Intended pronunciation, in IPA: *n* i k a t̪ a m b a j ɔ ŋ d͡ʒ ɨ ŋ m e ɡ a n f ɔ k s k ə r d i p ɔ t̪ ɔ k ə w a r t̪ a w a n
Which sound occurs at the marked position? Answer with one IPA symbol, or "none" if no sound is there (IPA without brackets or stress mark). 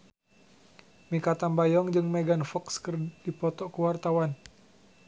m